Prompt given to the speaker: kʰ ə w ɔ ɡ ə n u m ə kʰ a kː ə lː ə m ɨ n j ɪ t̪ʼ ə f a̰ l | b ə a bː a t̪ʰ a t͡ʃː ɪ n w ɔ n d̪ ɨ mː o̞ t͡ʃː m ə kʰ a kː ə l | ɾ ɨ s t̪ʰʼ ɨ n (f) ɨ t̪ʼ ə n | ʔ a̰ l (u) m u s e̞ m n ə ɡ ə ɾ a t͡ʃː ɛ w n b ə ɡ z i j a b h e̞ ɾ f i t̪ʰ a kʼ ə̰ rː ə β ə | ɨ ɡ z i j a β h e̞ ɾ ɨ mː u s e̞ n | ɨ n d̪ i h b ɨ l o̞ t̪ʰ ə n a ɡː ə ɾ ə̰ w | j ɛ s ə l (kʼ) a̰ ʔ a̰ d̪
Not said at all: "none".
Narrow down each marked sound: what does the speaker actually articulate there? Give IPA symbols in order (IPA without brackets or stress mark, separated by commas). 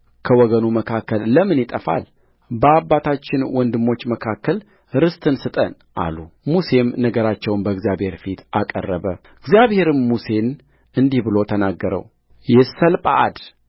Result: s, u, pʼ